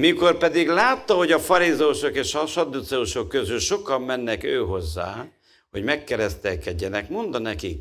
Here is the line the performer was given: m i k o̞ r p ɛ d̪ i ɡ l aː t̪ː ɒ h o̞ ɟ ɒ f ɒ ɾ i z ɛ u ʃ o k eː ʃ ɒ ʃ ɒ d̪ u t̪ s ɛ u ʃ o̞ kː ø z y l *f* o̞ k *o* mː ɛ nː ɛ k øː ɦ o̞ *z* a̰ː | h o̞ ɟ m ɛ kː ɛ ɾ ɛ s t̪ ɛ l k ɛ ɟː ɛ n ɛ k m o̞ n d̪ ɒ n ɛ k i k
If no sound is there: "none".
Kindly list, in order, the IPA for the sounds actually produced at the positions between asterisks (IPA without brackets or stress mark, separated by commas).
ʃ, ɒ, zː